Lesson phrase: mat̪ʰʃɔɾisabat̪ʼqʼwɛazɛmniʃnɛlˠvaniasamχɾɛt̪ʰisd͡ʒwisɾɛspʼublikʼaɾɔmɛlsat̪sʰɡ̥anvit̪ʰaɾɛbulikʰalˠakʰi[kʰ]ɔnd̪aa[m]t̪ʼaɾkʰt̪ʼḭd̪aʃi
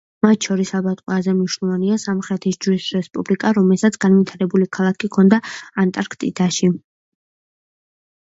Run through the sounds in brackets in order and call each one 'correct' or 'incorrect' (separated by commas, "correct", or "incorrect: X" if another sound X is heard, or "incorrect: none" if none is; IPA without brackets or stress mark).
correct, incorrect: n